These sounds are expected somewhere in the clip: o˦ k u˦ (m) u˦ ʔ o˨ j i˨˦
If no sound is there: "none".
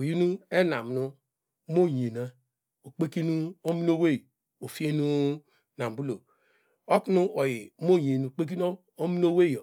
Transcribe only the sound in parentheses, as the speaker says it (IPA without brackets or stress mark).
n